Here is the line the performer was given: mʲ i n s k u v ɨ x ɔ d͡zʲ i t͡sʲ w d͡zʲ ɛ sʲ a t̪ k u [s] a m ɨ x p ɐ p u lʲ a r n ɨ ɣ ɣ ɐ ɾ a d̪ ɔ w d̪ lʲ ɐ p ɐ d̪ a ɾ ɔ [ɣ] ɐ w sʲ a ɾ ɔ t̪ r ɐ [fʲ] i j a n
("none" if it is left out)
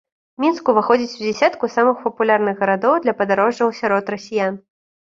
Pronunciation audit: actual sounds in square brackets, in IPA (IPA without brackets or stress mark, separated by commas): s, ʐ, sʲ